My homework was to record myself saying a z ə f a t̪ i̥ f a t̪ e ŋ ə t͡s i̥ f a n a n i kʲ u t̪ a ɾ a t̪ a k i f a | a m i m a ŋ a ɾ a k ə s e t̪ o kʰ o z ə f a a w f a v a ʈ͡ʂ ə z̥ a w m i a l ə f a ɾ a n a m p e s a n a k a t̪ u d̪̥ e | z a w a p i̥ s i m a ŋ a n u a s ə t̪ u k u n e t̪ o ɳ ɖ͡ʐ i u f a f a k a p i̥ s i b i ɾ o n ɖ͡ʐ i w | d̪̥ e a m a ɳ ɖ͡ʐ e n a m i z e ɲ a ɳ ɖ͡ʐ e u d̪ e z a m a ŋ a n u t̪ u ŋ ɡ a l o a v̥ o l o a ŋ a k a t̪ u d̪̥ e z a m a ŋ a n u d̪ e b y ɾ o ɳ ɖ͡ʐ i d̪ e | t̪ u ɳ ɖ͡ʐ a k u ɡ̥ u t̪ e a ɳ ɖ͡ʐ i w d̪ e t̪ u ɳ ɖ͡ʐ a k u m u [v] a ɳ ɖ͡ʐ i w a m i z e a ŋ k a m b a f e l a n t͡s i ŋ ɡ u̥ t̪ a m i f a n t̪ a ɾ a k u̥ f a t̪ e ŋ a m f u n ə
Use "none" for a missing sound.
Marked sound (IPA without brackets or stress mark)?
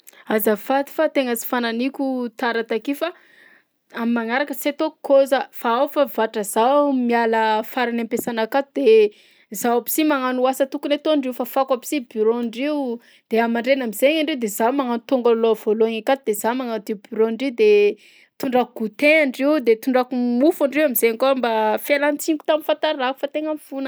f